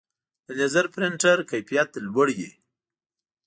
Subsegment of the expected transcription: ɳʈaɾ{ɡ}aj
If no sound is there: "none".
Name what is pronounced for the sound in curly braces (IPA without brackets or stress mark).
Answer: k